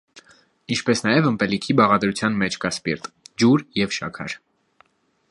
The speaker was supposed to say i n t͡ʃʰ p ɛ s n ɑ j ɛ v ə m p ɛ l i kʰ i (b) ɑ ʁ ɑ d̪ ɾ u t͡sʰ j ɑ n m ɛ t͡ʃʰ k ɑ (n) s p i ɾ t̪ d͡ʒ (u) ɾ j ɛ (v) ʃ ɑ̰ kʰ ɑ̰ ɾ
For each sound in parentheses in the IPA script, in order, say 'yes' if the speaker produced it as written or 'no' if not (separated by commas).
yes, no, yes, yes